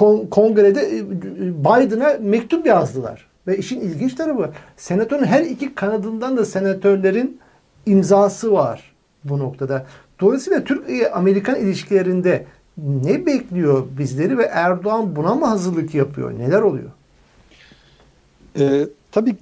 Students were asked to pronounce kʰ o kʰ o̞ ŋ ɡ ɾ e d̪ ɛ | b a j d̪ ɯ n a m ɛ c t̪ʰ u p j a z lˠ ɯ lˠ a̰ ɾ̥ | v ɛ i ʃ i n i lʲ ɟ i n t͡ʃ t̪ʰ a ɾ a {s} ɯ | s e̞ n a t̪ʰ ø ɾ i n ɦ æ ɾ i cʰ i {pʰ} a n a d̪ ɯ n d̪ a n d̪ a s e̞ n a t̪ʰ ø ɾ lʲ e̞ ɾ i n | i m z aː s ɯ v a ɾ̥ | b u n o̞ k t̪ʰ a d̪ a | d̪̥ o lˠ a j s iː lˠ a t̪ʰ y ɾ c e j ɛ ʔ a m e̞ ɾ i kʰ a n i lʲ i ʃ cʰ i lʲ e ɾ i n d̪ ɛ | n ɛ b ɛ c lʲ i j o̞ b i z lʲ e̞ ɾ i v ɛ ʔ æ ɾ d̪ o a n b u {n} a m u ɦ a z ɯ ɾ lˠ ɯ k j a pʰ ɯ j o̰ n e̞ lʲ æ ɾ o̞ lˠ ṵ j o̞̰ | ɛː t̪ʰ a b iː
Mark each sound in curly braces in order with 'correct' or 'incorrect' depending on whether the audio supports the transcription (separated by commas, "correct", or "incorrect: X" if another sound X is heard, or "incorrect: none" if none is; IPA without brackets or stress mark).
incorrect: f, incorrect: kʰ, correct